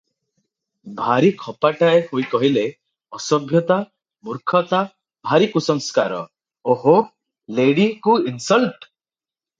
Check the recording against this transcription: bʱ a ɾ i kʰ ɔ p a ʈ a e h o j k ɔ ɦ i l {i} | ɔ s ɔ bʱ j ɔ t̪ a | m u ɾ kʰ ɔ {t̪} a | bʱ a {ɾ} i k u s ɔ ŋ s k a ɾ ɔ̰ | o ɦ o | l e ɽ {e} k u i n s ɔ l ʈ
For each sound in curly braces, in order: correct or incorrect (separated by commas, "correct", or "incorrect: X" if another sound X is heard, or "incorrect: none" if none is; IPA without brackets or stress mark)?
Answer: incorrect: e, correct, correct, incorrect: i